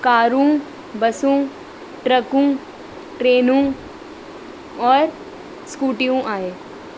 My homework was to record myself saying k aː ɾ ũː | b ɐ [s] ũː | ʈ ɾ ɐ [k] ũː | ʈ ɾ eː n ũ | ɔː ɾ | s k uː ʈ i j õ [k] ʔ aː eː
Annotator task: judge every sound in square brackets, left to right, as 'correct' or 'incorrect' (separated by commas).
correct, correct, incorrect